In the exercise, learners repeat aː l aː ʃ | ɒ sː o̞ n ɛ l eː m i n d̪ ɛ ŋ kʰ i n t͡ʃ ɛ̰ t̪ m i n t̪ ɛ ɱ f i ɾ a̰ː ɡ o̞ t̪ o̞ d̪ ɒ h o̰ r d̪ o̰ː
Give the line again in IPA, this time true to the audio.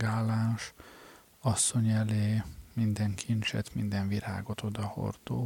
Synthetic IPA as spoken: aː l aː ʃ | ɒ sː o̞ ɲ ɛ l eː m i n d̪ ɛ ŋ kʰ i n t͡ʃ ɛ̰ t̪ m i n d̪ ɛ ɱ v i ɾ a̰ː ɡ o̞ t̪ o̞ d̪ ɒ h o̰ r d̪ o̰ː